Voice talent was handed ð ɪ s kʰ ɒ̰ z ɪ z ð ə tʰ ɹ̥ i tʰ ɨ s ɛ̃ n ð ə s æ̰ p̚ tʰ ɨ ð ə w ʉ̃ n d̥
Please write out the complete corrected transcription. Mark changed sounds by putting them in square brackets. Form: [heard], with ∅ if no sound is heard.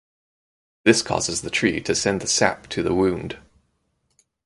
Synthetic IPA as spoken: ð ɪ s kʰ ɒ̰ z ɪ z ð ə tʰ ɹ̥ i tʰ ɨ s ɛ̃ n ð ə s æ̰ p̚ tʰ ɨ ð ə w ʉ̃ n d̥